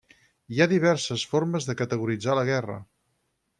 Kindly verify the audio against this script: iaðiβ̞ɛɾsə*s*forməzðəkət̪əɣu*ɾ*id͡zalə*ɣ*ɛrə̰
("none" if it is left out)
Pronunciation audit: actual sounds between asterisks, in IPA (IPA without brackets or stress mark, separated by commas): s, ɾ, ɣ